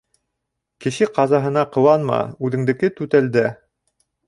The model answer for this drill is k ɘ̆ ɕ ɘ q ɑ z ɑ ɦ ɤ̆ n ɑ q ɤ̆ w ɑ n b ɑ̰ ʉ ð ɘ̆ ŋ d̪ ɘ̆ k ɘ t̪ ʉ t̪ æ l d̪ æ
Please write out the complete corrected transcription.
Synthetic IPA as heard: k ɘ̆ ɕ ɘ q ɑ z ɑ ɦ ɤ̆ n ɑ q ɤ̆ w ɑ n m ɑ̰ ʉ ð ɘ̆ ŋ d̪ ɘ̆ k ɘ t̪ ʉ t̪ æ l d̪ æ